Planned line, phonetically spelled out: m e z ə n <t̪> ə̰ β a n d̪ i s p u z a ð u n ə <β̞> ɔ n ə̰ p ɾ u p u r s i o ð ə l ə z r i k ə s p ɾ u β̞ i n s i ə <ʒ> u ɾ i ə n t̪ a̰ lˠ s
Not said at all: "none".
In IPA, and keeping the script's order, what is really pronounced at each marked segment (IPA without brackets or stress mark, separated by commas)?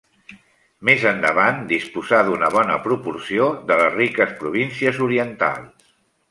d̪, β̞, z